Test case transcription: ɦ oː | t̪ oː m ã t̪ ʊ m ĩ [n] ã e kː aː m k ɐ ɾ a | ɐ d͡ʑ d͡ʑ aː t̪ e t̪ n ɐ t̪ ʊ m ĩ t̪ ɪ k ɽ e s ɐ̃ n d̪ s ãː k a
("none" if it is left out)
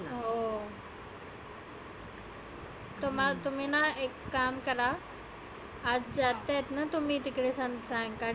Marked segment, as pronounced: n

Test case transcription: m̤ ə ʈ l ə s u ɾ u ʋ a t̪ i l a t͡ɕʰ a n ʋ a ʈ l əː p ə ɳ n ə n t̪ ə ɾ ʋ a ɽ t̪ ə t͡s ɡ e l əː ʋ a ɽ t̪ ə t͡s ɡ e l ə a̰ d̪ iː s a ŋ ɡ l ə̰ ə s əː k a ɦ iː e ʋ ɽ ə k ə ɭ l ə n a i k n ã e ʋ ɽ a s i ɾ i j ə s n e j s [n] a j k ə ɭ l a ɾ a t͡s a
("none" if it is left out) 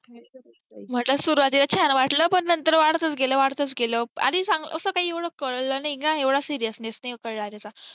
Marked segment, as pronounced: n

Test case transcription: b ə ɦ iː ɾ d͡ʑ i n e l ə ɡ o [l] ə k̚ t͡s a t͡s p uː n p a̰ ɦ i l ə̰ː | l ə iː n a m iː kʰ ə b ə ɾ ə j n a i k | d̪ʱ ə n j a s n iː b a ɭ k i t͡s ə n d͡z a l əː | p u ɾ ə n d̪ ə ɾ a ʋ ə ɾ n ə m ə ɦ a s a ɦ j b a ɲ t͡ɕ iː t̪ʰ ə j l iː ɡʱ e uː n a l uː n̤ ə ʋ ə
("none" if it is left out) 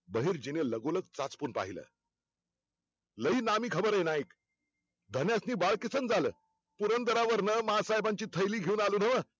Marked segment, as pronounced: l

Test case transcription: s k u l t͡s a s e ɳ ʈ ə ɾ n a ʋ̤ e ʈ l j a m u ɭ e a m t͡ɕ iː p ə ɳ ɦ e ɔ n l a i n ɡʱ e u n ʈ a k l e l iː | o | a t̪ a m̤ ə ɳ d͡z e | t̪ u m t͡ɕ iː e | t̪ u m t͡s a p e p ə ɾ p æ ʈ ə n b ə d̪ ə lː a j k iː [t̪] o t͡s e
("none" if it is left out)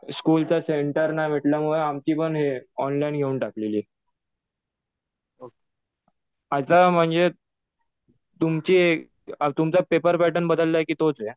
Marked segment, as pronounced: t̪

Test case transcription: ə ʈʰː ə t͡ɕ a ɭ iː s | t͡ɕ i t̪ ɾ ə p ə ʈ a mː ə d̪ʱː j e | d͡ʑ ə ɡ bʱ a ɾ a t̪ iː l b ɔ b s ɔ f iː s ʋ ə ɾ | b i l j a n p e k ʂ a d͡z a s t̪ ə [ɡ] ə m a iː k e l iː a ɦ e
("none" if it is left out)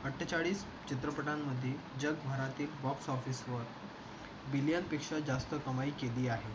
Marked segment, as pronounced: k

